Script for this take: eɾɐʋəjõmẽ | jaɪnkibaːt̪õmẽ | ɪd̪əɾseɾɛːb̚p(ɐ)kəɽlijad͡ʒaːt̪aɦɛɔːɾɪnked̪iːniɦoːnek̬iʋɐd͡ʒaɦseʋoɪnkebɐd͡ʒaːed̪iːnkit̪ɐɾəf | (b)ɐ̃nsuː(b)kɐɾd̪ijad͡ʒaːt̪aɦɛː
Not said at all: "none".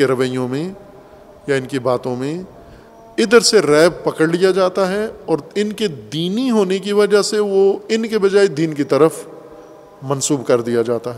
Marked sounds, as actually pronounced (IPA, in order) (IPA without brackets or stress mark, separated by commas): ɐ, m, b